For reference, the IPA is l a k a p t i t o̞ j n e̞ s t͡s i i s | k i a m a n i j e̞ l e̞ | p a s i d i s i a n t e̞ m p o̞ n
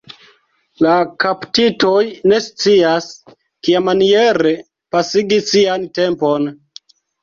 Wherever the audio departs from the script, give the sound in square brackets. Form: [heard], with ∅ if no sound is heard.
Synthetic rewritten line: l a k a p t i t o̞ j n e̞ s t͡s i [a] s | k i a m a n i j e̞ [ɾ] e̞ | p a s i [ɡ] i s i a n t e̞ m p o̞ n